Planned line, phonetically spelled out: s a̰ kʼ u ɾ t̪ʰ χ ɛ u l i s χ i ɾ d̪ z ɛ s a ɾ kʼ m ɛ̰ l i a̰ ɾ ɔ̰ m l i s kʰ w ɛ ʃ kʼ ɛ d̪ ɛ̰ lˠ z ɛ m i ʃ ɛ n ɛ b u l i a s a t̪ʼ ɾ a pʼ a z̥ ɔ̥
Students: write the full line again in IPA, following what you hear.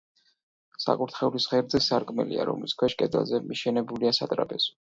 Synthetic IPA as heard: s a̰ kʼ u ɾ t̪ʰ χ ɛ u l i s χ ɛ ɾ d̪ z ɛ s a ɾ kʼ m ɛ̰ l i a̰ ɾ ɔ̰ m l i s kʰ w ɛ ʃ kʼ ɛ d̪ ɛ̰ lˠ z ɛ m i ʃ ɛ n ɛ b u l i a s a t̪ʼ ɾ a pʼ ɛ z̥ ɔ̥